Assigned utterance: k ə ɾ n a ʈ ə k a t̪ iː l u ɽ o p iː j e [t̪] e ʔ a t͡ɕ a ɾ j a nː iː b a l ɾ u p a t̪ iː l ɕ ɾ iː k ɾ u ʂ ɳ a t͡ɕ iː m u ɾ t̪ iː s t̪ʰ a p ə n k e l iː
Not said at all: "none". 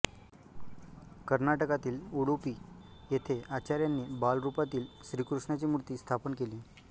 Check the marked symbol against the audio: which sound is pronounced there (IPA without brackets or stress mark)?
t̪ʰ